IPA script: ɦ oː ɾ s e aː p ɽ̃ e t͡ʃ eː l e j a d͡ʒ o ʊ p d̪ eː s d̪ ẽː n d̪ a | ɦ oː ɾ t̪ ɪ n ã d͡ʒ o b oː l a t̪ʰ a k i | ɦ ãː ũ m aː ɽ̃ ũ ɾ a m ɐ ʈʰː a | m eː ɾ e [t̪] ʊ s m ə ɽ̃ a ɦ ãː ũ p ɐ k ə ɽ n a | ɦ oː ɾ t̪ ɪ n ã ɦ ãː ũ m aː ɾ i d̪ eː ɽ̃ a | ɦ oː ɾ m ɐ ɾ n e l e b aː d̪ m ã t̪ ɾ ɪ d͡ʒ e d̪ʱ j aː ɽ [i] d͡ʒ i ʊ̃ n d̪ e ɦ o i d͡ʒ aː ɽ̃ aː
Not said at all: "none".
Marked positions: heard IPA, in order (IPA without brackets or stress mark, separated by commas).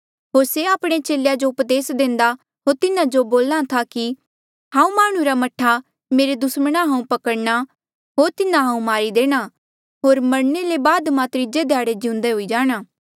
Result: d̪, e